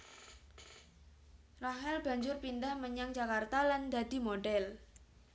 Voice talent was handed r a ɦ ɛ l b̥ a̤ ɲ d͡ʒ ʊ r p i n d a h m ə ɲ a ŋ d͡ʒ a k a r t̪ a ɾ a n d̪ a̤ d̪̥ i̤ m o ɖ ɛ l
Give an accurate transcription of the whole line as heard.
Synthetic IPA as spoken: r a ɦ ɛ l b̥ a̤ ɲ d͡ʒ ʊ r p i n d a h m ə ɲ a ŋ d͡ʒ a k a r t̪ a l a n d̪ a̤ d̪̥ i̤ m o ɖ ɛ l